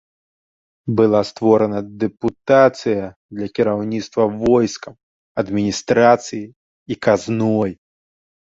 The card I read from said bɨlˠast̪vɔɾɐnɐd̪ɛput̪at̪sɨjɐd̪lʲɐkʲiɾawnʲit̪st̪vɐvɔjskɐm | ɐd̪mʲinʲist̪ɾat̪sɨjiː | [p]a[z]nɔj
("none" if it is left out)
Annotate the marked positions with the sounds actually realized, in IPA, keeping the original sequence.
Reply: k, z

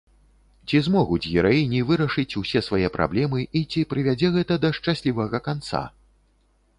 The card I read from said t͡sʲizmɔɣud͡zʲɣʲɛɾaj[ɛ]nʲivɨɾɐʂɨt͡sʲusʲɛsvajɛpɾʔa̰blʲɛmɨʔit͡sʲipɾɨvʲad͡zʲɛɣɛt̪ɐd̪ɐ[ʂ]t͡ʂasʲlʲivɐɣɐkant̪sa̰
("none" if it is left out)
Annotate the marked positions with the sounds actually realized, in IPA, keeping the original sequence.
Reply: i, ʂ

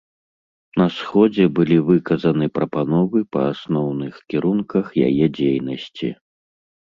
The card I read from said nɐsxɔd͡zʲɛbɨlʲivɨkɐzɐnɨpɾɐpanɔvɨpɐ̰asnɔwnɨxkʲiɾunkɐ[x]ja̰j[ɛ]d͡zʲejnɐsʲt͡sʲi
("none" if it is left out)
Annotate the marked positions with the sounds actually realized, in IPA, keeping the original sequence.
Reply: x, ɛ

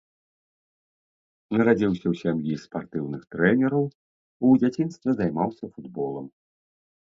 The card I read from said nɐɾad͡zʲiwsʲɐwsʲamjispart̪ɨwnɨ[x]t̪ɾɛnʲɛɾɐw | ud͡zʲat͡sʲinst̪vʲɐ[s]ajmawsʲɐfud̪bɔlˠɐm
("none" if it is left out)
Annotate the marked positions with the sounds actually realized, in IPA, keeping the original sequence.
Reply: x, z

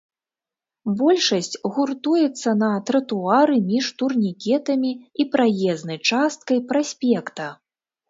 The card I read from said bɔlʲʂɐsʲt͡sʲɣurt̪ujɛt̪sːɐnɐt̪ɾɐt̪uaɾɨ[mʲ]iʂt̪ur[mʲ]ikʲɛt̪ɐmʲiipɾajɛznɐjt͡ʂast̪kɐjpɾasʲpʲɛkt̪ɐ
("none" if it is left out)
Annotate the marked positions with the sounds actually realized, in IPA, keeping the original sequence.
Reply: mʲ, nʲ

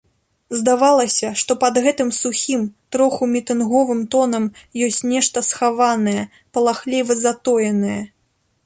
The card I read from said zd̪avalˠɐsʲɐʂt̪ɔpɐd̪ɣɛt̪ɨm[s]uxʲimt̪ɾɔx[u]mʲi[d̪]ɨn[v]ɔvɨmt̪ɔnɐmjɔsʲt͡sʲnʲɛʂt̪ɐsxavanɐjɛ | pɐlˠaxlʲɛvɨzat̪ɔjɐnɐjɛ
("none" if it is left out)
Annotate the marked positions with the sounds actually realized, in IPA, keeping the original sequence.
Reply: s, u, t̪, ɣ

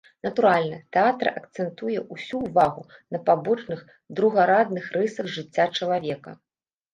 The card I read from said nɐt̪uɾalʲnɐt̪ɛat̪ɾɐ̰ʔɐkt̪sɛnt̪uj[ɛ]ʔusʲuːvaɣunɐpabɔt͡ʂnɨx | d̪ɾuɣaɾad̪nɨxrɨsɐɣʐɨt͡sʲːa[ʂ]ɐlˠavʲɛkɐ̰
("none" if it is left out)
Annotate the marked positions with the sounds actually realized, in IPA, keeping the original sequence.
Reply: ɛ, t͡ʂ

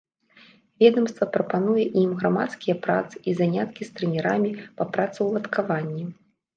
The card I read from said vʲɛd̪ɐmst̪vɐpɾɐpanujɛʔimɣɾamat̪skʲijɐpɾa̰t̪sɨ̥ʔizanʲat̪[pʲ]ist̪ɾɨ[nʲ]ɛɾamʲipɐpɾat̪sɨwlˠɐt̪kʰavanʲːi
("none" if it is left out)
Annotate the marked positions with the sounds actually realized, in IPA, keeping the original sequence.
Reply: kʲ, nʲ

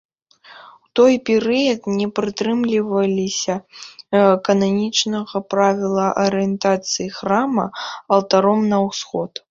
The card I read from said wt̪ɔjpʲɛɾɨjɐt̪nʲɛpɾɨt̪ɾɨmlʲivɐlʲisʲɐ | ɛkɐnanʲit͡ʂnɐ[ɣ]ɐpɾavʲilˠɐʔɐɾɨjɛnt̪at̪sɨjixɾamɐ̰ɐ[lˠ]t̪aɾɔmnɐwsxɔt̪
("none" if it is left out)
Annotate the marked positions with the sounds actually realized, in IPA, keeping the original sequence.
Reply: ɣ, lˠ

